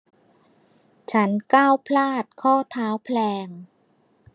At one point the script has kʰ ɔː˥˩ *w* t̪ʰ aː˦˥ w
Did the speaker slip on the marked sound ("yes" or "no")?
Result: yes